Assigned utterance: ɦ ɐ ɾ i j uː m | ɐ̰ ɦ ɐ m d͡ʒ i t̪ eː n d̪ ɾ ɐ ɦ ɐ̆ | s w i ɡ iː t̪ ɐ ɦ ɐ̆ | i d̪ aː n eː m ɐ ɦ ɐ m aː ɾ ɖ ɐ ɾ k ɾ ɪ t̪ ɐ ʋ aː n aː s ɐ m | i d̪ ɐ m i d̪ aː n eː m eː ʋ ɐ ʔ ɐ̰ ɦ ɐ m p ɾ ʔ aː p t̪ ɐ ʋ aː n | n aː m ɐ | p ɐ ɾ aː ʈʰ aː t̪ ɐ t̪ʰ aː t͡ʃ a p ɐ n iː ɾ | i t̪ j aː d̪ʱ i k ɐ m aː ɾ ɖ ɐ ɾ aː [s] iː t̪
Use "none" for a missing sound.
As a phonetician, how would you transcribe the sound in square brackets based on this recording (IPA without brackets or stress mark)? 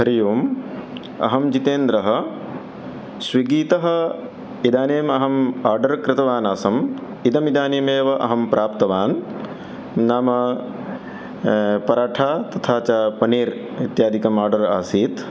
s